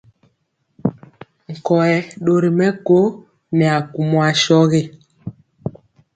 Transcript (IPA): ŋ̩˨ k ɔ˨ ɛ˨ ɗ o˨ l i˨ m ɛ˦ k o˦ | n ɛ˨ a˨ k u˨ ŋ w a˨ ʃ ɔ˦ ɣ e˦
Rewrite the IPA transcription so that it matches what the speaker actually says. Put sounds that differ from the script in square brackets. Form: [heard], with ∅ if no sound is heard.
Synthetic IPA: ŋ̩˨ k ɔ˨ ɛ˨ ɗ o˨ [ɾ] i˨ m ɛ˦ k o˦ | n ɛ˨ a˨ k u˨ [m] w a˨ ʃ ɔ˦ ɣ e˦